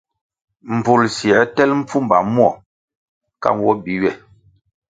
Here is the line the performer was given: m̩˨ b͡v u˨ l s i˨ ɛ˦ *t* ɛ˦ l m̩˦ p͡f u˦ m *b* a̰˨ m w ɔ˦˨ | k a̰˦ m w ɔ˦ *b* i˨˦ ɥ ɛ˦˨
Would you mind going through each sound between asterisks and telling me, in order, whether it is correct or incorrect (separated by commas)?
correct, correct, correct